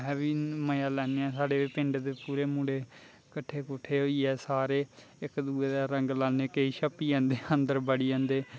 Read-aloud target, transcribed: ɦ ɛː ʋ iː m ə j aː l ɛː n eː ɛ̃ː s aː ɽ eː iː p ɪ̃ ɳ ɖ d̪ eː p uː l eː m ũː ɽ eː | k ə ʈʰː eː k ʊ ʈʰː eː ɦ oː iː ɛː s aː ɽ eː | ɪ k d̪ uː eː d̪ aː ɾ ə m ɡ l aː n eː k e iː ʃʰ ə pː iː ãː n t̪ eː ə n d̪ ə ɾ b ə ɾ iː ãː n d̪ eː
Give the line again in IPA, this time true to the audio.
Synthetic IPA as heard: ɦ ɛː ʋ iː m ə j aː l ɛː n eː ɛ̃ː s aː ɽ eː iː p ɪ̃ ɳ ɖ d̪ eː p uː ɾ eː m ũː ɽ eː | k ə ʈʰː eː k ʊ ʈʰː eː ɦ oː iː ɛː s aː ɾ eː | ɪ k d̪ uː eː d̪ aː ɾ ə ŋ ɡ l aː n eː k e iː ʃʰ ə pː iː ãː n d̪ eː ə n d̪ ə ɾ b ə ɽ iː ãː n d̪ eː